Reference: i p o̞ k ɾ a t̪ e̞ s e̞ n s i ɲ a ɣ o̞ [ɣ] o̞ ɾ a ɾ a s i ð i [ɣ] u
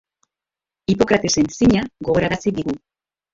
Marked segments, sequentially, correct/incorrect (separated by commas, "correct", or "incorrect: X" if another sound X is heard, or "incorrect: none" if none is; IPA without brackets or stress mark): correct, correct